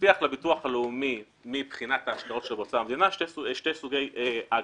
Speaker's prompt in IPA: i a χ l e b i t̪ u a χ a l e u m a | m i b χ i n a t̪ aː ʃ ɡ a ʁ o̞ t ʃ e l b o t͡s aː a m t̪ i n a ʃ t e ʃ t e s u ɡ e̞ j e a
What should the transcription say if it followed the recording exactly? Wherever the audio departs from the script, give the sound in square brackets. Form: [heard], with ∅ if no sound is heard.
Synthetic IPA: i a χ l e b i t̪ u a χ a l e u m [i] | m i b χ i n a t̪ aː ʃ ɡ a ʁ o̞ t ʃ e l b o t͡s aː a m [d̪] i n a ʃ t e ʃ t e s u ɡ e̞ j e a